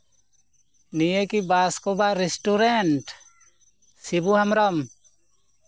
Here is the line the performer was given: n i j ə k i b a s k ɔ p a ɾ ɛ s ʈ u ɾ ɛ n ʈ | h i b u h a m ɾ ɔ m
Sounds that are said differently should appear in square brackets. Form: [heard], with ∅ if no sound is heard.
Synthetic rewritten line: n i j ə k i b a s k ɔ [b] a ɾ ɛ s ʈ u ɾ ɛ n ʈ | [s] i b u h a m ɾ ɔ m